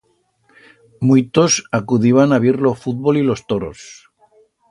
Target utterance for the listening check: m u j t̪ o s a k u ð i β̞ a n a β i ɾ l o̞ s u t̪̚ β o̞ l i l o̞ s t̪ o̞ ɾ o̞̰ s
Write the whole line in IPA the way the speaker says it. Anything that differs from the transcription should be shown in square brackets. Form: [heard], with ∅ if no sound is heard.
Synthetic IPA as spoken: m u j t̪ o s a k u ð i β̞ a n a β i ɾ l o̞ [f] u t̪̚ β o̞ l i l o̞ s t̪ o̞ ɾ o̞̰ s